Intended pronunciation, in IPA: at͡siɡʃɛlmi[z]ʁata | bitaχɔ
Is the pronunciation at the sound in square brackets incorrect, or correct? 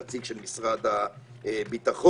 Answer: incorrect